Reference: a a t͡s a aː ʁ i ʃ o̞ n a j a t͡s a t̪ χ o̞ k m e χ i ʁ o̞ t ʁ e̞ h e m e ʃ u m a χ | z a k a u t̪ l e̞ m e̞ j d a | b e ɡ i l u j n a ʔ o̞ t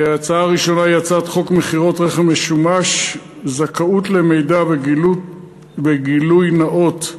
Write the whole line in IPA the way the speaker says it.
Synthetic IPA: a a t͡s a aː ʁ i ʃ o̞ n a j a t͡s a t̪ χ o̞ k m e χ i ʁ o̞ t ʁ e̞ χ e m e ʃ u m a ʃ | z a k a u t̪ l e̞ m e̞ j d a | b e ɡ i l u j n a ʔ o̞ t